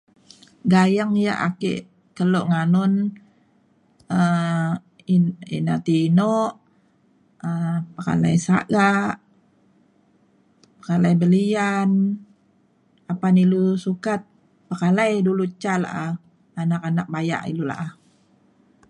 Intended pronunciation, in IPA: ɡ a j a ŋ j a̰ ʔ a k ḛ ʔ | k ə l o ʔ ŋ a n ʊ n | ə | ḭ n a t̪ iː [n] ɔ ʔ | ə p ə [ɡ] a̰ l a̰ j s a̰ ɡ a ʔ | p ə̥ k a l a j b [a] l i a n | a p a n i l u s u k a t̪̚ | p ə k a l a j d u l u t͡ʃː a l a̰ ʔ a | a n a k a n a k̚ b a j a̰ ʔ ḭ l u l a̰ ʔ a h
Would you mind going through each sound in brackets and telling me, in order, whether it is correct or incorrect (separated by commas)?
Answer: correct, incorrect, incorrect